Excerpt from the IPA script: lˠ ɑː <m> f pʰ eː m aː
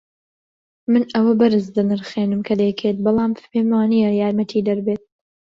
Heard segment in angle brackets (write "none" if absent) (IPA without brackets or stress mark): m